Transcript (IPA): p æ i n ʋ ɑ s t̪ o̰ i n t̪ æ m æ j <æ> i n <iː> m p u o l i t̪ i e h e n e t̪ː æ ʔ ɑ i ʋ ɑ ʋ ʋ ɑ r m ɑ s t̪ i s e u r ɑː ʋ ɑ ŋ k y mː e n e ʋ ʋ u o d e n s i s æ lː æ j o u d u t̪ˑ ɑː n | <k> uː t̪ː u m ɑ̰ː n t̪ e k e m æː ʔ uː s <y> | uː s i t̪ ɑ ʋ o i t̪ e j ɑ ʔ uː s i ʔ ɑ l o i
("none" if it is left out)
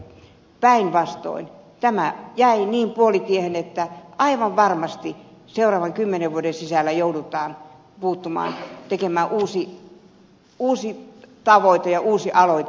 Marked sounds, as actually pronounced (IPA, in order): æ, iː, p, i

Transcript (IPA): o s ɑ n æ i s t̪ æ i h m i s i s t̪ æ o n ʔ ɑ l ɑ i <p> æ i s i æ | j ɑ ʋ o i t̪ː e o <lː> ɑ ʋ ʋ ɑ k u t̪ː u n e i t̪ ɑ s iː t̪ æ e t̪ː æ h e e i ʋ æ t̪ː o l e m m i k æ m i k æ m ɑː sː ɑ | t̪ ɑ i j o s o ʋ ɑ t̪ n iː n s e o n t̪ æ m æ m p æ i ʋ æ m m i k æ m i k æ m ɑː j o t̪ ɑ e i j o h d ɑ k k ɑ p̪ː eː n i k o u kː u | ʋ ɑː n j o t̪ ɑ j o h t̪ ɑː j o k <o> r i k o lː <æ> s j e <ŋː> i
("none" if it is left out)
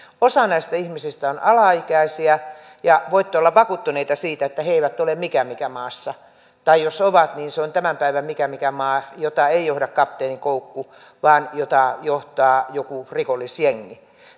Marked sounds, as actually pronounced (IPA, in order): k, lː, u, i, ŋː

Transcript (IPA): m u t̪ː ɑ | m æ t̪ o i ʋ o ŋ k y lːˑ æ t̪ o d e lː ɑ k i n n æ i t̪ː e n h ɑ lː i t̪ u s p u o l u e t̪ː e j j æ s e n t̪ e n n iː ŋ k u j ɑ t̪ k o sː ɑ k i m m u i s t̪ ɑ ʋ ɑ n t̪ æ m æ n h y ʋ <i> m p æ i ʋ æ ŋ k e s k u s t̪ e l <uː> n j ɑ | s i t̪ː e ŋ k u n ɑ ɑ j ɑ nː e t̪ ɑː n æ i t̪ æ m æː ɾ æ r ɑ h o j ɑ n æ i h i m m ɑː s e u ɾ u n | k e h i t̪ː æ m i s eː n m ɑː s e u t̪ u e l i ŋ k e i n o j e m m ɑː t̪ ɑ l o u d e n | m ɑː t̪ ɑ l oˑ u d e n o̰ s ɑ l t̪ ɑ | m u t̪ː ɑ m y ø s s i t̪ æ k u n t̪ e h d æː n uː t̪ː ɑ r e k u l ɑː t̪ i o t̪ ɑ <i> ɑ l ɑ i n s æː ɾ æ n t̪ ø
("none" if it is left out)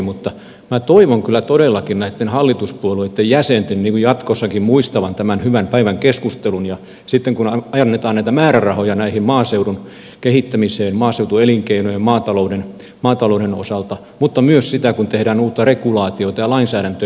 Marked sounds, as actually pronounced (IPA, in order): æ, u, j

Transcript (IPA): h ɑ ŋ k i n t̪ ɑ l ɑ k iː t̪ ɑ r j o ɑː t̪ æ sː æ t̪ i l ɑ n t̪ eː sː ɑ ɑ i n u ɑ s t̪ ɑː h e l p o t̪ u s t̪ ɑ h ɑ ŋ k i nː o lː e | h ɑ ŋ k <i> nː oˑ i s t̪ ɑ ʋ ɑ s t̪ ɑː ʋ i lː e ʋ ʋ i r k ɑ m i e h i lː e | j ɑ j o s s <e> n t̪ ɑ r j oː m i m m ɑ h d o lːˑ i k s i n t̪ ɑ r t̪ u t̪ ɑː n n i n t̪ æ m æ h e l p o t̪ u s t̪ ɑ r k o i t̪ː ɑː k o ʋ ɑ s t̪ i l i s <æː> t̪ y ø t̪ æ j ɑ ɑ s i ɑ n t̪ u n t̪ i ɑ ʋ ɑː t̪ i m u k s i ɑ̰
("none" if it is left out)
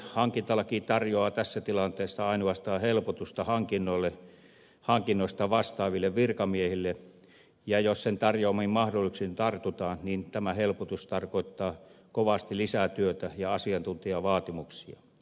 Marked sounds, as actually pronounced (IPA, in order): i, e, æ

